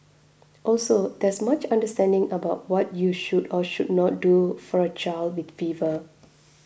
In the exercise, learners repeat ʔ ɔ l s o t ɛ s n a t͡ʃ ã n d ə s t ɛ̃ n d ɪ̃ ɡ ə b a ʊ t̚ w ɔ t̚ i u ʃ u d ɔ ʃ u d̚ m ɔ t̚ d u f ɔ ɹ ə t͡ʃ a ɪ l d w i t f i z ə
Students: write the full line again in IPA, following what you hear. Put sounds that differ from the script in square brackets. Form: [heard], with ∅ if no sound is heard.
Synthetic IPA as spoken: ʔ ɔ l s o [d] ɛ s [m] a t͡ʃ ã n d ə s t ɛ̃ n d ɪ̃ [ŋ] ə b a ʊ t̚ w ɔ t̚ [j] u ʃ u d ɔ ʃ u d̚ [n] ɔ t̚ d u f ɔ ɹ ə t͡ʃ a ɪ l d w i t f i [v] ə

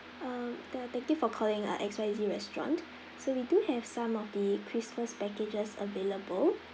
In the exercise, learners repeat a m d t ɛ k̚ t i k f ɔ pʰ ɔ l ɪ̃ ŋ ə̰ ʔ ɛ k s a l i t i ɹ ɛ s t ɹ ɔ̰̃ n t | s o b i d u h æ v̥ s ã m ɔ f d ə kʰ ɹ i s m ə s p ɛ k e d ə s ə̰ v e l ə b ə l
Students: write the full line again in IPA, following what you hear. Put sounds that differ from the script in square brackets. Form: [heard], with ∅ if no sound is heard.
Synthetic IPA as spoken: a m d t ɛ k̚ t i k f ɔ [kʰ] ɔ l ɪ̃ ŋ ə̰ ʔ ɛ k s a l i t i ɹ ɛ s t ɹ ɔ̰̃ n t | s o [w] i d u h [ɛ] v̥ s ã m ɔ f d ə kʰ ɹ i s m ə s p ɛ k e [d͡ʒ] ə s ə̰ v e l ə b ə l

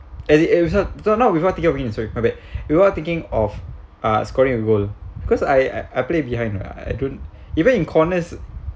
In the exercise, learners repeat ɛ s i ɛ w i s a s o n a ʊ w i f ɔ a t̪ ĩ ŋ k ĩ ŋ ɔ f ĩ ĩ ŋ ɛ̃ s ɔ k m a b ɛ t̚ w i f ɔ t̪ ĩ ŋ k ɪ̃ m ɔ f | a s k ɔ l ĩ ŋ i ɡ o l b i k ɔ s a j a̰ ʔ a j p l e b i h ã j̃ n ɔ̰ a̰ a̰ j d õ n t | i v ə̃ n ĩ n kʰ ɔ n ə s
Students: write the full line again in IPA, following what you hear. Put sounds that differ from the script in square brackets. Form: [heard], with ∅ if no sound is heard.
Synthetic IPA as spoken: ɛ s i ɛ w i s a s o n a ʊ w i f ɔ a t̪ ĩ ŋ k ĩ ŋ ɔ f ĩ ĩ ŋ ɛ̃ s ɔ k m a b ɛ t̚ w i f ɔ t̪ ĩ ŋ k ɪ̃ [ŋ] ɔ f | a s k ɔ [ɹ] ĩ ŋ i ɡ o l b i k ɔ s a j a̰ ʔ a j p l e b i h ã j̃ n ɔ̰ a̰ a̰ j d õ n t | i v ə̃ n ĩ n kʰ ɔ n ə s

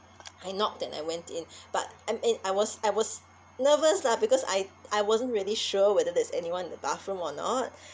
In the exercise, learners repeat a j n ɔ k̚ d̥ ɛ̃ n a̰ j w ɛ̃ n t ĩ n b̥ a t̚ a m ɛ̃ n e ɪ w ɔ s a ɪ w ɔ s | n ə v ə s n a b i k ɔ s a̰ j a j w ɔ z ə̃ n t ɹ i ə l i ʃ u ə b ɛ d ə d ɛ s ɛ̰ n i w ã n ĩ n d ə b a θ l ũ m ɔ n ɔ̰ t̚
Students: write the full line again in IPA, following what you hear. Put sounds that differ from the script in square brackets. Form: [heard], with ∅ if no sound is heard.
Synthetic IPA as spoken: a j n ɔ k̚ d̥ ɛ̃ n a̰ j w ɛ̃ n t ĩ n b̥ a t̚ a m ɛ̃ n [a] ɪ w ɔ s a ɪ w ɔ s | n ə v ə s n a b i k ɔ s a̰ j a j w ɔ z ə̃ n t ɹ i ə l i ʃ u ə [w] ɛ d ə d ɛ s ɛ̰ n i w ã n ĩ n d ə b a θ [ɹ] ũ m ɔ n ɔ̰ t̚

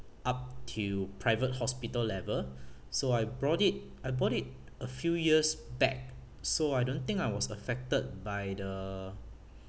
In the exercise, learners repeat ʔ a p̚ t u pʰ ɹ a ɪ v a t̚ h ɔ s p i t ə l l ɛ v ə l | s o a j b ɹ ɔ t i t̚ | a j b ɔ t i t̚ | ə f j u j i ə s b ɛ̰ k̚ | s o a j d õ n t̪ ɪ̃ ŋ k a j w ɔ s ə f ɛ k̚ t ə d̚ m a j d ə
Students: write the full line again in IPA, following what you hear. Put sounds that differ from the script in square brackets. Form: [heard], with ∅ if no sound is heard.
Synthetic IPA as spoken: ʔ a p̚ [tʰ] u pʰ ɹ a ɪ v [ə] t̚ h ɔ s p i t ə l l ɛ v ə l | s o a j b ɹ ɔ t i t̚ | a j b ɔ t i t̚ | ə f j u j i ə s b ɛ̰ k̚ | s o a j d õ n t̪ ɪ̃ ŋ k a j w ɔ s ə f ɛ k̚ t ə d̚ [b] a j d ə

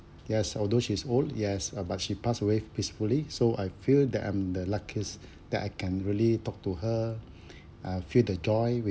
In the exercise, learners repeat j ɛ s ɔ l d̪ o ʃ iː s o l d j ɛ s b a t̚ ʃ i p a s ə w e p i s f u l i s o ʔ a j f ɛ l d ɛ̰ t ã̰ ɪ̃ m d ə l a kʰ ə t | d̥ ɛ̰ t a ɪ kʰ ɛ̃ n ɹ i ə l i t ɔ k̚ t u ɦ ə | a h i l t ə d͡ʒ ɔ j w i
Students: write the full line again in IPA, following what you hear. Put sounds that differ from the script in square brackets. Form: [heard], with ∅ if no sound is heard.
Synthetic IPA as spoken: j ɛ s ɔ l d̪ o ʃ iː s o l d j ɛ s b a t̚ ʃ i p a s ə w e p i s f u l i s o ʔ a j f [i] l d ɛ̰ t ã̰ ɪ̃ m d ə l a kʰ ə [s] | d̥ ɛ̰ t a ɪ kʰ ɛ̃ n ɹ i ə l i t ɔ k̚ t u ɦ ə | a [f] i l [d] ə d͡ʒ ɔ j w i

